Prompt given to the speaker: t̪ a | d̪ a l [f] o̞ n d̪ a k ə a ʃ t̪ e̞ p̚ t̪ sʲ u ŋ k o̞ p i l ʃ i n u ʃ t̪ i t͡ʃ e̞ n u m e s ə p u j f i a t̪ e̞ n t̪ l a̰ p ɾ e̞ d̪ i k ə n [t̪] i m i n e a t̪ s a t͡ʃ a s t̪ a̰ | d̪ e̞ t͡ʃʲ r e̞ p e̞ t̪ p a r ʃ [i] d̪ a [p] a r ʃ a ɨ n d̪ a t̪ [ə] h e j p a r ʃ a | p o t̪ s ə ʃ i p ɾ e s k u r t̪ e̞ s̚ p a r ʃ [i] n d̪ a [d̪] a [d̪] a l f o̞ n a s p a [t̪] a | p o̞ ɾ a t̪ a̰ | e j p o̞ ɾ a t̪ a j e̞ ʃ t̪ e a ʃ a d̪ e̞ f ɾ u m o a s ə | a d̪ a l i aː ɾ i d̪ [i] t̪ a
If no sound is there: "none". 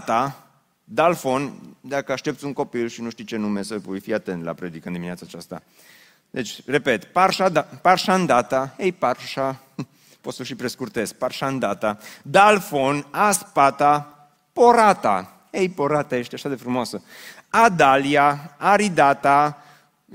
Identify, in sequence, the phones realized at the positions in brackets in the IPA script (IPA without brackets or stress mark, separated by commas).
f, d̪, a, p, a, a, t̪, d̪, t̪, a